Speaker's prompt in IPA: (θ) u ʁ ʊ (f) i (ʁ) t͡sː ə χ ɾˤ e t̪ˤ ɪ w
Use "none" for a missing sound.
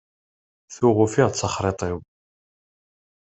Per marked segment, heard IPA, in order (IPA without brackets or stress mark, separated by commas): θ, f, ʁ